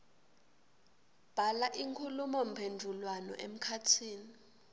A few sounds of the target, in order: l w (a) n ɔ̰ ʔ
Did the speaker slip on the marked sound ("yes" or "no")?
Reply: no